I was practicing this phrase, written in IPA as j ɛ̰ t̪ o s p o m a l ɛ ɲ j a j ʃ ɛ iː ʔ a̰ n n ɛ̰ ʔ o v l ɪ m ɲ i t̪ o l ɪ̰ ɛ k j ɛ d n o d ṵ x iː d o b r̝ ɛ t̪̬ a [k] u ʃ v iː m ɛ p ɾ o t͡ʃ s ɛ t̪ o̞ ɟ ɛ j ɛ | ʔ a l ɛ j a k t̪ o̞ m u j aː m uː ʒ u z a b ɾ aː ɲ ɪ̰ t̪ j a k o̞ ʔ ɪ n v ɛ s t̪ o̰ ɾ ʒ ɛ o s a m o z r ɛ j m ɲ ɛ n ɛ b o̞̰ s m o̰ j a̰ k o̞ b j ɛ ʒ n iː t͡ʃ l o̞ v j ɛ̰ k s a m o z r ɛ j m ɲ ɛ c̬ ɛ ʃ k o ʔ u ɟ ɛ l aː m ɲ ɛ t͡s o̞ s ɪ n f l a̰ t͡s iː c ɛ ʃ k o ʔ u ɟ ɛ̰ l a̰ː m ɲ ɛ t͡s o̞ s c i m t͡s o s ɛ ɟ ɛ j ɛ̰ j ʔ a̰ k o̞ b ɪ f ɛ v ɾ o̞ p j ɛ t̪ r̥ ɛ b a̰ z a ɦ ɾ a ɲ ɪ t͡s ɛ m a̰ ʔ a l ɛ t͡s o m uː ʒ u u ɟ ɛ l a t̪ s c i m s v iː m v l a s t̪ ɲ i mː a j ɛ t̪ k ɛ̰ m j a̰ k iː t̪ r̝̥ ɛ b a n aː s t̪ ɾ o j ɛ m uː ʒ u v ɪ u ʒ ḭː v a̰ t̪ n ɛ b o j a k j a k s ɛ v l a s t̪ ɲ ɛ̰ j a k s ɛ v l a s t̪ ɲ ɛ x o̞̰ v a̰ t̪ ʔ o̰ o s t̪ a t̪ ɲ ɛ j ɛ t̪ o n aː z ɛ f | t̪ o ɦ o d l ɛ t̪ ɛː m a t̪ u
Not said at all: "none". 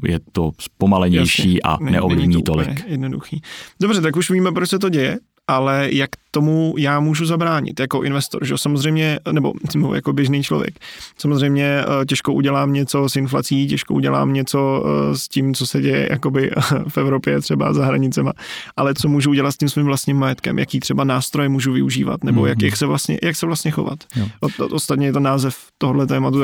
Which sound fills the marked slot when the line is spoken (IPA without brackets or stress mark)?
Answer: k